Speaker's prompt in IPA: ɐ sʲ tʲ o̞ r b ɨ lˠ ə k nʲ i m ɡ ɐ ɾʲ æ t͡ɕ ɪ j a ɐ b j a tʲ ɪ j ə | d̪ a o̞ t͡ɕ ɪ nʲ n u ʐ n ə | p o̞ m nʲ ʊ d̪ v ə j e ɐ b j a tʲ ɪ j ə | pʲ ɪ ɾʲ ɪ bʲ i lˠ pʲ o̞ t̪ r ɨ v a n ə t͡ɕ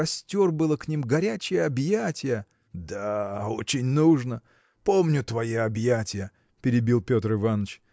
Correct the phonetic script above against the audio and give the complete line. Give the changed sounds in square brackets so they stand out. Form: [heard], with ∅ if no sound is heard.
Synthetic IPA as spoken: ɐ sʲ tʲ o̞ r b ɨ lˠ ə k nʲ i m ɡ ɐ ɾʲ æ t͡ɕ ɪ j [ə] ɐ b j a tʲ ɪ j ə | d̪ a o̞ t͡ɕ ɪ nʲ n u ʐ n ə | p o̞ m nʲ ʊ [t̪] v [ɐ] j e ɐ b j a tʲ ɪ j ə | pʲ ɪ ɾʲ ɪ bʲ i lˠ pʲ o̞ t̪ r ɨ v a n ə t͡ɕ

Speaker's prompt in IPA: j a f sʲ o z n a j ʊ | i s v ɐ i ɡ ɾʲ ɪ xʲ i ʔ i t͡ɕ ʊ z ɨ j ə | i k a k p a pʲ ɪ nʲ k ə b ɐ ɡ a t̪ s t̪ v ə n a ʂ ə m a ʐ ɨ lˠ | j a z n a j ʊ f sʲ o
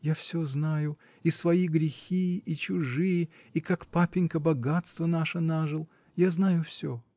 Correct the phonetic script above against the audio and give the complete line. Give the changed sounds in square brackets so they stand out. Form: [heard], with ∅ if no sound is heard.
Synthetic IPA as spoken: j a f sʲ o z n a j ʊ | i s v ɐ i ɡ ɾʲ ɪ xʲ i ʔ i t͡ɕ ʊ [ʐ] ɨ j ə | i k a k p a pʲ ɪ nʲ k ə b ɐ ɡ a t̪ s t̪ v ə n a ʂ ə [n] a ʐ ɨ lˠ | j a z n a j ʊ f sʲ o

